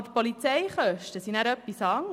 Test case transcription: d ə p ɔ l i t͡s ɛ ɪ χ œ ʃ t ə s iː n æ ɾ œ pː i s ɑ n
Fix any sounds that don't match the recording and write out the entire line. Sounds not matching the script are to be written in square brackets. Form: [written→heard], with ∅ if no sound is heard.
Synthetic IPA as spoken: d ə p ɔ l i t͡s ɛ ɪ χ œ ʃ t ə s [iː→i] n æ ɾ œ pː i s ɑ [n→ŋ]